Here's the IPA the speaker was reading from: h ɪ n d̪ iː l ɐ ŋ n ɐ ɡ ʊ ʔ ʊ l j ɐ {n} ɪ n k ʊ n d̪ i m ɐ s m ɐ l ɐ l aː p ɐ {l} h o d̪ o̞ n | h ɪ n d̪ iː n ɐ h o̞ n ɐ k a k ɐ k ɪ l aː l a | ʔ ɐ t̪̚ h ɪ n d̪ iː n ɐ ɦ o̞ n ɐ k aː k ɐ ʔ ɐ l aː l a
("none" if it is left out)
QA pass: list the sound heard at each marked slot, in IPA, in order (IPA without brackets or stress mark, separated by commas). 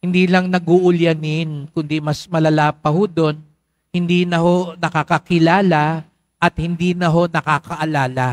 n, none